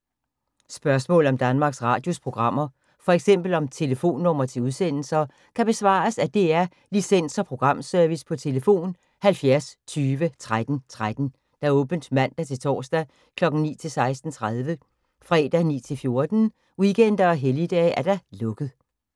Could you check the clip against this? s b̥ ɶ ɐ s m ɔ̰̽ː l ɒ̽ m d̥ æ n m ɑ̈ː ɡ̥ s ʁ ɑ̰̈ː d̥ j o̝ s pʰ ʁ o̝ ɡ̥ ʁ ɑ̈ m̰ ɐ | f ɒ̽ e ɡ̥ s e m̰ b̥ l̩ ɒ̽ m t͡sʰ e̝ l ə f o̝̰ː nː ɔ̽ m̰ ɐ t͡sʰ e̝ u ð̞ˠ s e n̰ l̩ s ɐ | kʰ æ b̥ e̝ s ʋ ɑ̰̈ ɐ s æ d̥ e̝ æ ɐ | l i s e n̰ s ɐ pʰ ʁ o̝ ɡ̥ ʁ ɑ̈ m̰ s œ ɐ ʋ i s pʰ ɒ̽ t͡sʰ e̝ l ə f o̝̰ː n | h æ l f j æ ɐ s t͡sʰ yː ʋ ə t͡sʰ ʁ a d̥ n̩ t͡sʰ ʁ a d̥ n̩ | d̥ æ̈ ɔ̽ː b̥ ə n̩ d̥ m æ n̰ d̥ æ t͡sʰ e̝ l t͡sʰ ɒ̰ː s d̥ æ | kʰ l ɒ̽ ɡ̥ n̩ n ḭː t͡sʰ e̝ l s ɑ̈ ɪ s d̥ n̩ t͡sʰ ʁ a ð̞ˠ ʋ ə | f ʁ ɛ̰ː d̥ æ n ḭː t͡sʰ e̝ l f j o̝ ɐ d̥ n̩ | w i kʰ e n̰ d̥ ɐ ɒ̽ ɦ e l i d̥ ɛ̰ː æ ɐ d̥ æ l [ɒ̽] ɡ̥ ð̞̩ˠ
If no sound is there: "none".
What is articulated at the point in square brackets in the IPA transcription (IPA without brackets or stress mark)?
ɔ̽